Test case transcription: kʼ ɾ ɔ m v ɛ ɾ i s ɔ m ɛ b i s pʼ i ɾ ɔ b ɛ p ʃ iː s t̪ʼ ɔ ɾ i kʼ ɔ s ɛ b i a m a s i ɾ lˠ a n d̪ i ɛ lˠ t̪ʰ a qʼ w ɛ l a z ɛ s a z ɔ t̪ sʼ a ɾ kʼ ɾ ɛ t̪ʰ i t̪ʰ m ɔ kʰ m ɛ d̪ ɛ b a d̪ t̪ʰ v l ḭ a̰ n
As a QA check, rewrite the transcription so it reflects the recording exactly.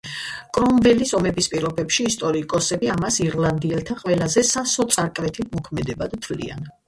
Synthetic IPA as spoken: kʼ ɾ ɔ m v ɛ l i s ɔ m ɛ b i s pʼ i ɾ ɔ b ɛ p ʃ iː s t̪ʼ ɔ ɾ i kʼ ɔ s ɛ b i a m a s i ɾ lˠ a n d̪ i ɛ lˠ t̪ʰ a qʼ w ɛ l a z ɛ s a s ɔ t̪ sʼ a ɾ kʼ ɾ ɛ t̪ʰ i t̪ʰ m ɔ kʰ m ɛ d̪ ɛ b a d̪ t̪ʰ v l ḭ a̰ n

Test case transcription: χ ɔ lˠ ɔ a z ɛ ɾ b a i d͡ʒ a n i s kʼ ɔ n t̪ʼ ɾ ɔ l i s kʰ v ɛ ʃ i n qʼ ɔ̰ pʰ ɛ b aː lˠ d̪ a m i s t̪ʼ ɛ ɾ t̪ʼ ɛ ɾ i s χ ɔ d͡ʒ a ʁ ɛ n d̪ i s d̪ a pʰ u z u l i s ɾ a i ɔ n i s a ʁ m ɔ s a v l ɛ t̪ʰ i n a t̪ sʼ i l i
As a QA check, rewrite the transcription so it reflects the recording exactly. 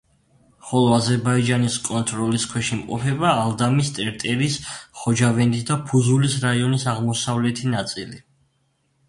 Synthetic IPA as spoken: χ ɔ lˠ ɔ a z ɛ ɾ b a i d͡ʒ a n i s kʼ ɔ n t̪ʼ ɾ ɔ l i s kʰ w ɛ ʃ i m qʼ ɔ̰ pʰ ɛ b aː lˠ d̪ a m i s t̪ʼ ɛ ɾ t̪ʼ ɛ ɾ i s χ ɔ d͡ʒ a v ɛ n d̪ i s d̪ a pʰ u z u l i s ɾ a i ɔ n i s a ʁ m ɔ s a v l ɛ t̪ʰ i n a t̪ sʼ i l i

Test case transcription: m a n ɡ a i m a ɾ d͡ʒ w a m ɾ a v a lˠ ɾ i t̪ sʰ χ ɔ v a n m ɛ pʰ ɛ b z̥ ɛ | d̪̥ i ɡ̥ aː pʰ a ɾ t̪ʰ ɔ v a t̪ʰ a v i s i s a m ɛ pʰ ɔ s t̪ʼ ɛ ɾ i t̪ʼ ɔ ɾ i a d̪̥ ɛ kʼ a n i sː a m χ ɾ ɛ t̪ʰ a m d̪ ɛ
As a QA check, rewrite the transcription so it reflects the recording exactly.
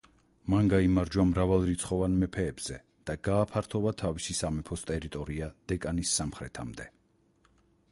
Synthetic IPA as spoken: m a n ɡ a i m a ɾ d͡ʒ w a m ɾ a v a lˠ ɾ i t̪ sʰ χ ɔ v a n m ɛ pʰ ɛː b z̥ ɛ | d̪̥ a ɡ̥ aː pʰ a ɾ t̪ʰ ɔ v a t̪ʰ a v i s i s a m ɛ pʰ ɔ s t̪ʼ ɛ ɾ i t̪ʼ ɔ ɾ i a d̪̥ ɛ kʼ a n i sː a m χ ɾ ɛ t̪ʰ a m d̪ ɛ

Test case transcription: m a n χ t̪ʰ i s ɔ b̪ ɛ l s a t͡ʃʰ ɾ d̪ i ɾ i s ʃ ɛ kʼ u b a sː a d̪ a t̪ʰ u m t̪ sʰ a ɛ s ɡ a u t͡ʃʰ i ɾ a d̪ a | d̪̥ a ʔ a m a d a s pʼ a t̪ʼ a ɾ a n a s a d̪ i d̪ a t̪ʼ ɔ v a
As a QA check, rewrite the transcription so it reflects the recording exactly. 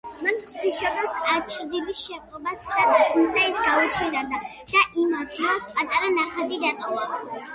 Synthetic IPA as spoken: m a n χ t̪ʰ i ʃ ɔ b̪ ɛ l s a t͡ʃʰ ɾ d̪ i l i s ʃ ɛ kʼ ɔ b a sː a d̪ a t̪ʰ u m t̪ sʰ a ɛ s ɡ a u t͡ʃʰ i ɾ a d̪ a | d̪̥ a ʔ i m a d a s pʼ a t̪ʼ a ɾ a n a χ a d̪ i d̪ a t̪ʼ ɔ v a

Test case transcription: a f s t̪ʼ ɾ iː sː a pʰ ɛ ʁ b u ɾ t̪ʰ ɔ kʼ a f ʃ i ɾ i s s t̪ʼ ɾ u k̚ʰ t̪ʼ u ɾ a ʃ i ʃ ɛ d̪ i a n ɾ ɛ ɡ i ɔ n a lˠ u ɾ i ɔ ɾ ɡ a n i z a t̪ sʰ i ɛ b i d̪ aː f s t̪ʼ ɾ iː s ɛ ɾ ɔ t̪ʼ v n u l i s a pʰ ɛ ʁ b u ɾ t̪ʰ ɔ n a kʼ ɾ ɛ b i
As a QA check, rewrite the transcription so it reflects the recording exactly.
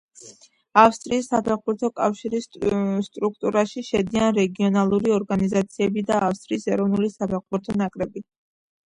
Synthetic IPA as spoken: a f s t̪ʼ ɾ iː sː a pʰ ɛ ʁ b u ɾ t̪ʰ ɔ kʼ a f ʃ i ɾ i s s t̪ʼ ɾ u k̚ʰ t̪ʼ u ɾ a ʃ i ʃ ɛ d̪ i a n ɾ ɛ ɡ i ɔ n a lˠ u ɾ i ɔ ɾ ɡ a n i z a t̪ sʰ i ɛ b i d̪ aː f s t̪ʼ ɾ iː s ɛ ɾ ɔ v n u l i s a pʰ ɛ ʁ b u ɾ t̪ʰ ɔ n a kʼ ɾ ɛ b i

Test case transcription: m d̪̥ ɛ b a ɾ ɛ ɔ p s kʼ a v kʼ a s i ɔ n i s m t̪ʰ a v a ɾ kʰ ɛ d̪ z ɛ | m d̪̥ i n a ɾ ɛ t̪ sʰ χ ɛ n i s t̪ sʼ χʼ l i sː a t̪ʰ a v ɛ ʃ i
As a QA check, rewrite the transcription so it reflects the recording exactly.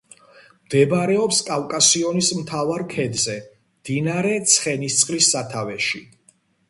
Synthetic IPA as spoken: m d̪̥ ɛ b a ɾ ɛ ɔ p s kʼ a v kʼ a s i ɔ n i s m t̪ʰ a v a ɾ kʰ ɛ d̪ z ɛ | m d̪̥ i n a ɾ ɛ t̪ sʰ χ ɛ n i s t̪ sʼ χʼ l i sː a t̪ʰ a v ɛ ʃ i

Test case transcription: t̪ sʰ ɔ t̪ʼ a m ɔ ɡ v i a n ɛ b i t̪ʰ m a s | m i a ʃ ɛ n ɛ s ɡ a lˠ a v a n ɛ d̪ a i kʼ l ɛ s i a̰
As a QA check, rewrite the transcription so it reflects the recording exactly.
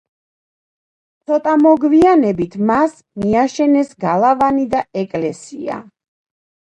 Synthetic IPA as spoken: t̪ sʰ ɔ t̪ʼ a m ɔ ɡ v i a n ɛ b i t̪ʰ m a s | m i a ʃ ɛ n ɛ s ɡ a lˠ a v a n i d̪ a ɛ kʼ l ɛ s i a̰

